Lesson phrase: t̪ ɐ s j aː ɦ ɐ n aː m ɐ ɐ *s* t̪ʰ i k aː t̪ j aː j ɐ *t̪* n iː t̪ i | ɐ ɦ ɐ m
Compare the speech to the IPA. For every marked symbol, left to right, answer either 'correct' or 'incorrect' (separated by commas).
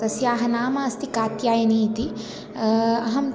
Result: correct, incorrect